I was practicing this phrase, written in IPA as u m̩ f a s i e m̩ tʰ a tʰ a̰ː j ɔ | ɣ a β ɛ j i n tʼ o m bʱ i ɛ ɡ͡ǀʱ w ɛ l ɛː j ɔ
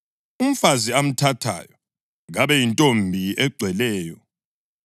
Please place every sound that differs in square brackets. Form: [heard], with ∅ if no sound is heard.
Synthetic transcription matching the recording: u m̩ f a [z] i [a] m̩ tʰ a tʰ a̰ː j ɔ | ɣ a β ɛ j i n tʼ o m bʱ i ɛ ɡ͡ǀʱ w ɛ l ɛː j ɔ

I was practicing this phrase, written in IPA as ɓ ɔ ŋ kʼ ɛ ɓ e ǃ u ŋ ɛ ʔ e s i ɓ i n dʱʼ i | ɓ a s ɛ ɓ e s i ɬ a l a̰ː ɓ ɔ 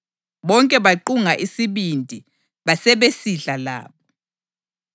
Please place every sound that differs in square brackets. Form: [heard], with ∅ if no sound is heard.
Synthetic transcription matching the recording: ɓ ɔ ŋ kʼ ɛ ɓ [a] ǃ u ŋ [a] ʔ [i] s i ɓ i n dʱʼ i | ɓ a s ɛ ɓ e s i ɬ a l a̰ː ɓ ɔ

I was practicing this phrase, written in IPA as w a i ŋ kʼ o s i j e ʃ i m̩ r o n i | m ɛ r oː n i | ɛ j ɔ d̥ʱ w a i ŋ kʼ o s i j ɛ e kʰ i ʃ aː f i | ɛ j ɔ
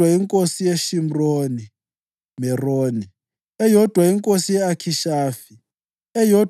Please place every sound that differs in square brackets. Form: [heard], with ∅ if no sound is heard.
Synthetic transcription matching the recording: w a i ŋ kʼ o s i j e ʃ i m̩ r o n i | m ɛ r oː n i | ɛ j ɔ d̥ʱ w a i ŋ kʼ o s i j ɛ [a] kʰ i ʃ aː f i | ɛ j ɔ

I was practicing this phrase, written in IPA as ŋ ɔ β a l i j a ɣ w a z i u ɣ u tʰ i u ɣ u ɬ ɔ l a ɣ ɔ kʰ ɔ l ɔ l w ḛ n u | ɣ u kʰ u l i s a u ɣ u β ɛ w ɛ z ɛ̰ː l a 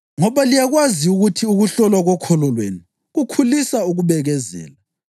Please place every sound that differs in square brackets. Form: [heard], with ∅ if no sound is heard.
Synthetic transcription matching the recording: ŋ ɔ β a l i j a ɣ w a z i u ɣ u tʰ i u ɣ u ɬ ɔ l a ɣ ɔ kʰ ɔ l ɔ l w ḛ n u | ɣ u kʰ u l i s a u ɣ u β ɛ [ɣ] ɛ z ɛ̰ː l a

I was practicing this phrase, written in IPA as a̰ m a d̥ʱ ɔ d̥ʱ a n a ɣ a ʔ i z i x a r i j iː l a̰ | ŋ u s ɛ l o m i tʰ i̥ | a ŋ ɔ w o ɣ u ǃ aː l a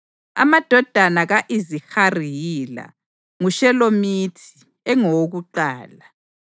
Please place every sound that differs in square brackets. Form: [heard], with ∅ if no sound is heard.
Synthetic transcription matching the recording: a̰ m a d̥ʱ ɔ d̥ʱ a n a ɣ a ʔ i z i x a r i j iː l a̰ | ŋ u [ʃ] ɛ l o m i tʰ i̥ | [ɛ] ŋ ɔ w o ɣ u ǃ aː l a

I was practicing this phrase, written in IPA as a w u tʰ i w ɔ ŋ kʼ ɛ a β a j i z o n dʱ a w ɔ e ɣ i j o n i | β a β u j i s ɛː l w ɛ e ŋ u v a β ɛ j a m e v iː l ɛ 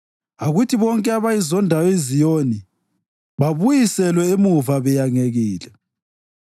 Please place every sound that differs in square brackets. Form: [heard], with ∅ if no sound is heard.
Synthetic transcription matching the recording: a [ɣ] u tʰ i [β] ɔ ŋ kʼ ɛ a β a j i z [ɔ] n dʱ a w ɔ e [z] i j o n i | β a β u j i s [ɛ] l w ɛ e [m] u v a β ɛ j a [ŋ] e [ɣ] iː l ɛ

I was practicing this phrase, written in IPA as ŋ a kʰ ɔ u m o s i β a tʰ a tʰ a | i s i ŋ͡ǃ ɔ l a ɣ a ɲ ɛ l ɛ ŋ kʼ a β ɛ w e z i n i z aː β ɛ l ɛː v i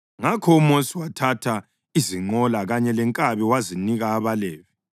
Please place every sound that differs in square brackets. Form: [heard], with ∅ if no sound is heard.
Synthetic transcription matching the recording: ŋ a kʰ ɔ u m o s i [w] a tʰ a tʰ a | i [z] i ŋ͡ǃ ɔ l a ɣ a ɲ ɛ l ɛ ŋ kʼ a β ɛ w [a] z i n i [ɣ] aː β [a] l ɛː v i

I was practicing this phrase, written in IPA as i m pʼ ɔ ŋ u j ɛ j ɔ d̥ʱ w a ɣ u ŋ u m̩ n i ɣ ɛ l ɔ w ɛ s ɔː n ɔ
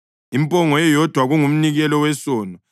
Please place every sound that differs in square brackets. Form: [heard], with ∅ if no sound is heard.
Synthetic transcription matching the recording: i m pʼ ɔ ŋ [ɔ] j ɛ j ɔ d̥ʱ w a ɣ u ŋ u m̩ n i ɣ ɛ l ɔ w ɛ s ɔː n ɔ

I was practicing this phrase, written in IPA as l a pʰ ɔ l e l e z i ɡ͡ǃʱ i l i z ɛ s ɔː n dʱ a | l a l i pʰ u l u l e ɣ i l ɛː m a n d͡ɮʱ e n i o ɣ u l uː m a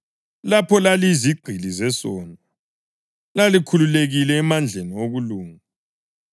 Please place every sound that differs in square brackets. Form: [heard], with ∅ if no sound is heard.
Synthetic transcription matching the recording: l a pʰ ɔ l [a] l [i] z i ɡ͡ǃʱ i l i z ɛ s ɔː n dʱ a | l a l i [kʰ] u l u l e ɣ i l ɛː m a n d͡ɮʱ e n i o ɣ u l uː [ŋ] a

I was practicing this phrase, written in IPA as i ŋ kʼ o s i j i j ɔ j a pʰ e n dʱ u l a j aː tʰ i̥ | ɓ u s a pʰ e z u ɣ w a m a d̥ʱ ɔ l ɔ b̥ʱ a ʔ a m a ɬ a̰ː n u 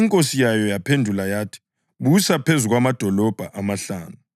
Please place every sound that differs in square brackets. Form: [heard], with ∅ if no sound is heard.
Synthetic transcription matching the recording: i ŋ kʼ o s i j [a] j ɔ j a pʰ e n dʱ u l a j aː tʰ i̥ | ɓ u s a pʰ e z u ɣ w a m a d̥ʱ ɔ l ɔ b̥ʱ a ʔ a m a ɬ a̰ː n u

